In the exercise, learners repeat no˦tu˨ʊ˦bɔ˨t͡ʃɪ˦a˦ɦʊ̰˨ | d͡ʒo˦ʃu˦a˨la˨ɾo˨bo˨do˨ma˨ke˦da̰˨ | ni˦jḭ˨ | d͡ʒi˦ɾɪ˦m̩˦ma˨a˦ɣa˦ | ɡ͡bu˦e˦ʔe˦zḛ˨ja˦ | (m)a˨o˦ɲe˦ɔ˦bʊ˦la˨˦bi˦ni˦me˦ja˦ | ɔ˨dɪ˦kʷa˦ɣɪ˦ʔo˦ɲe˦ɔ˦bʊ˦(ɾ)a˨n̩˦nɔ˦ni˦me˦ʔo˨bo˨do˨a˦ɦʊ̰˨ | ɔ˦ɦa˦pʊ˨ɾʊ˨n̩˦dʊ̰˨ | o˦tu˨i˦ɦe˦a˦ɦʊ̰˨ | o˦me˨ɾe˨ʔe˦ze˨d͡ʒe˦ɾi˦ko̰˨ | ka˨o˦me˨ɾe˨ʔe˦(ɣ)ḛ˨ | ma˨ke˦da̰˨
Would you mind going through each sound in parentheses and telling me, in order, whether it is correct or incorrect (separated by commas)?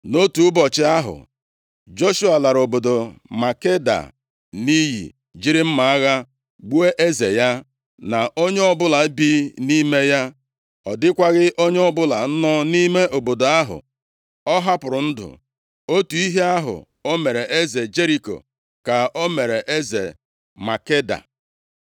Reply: incorrect, incorrect, incorrect